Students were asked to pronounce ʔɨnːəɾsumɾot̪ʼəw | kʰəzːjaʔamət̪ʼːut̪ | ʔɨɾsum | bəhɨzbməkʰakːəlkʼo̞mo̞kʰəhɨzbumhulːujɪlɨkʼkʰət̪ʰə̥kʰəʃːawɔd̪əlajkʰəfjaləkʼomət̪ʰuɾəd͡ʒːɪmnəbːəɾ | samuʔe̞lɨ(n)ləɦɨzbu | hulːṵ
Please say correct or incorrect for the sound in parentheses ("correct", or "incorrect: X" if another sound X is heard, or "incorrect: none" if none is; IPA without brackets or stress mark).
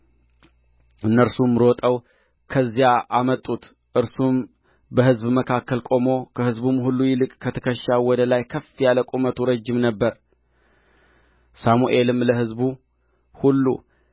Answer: incorrect: m